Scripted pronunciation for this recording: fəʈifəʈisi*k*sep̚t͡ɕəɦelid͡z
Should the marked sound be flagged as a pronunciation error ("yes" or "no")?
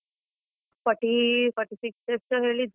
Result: no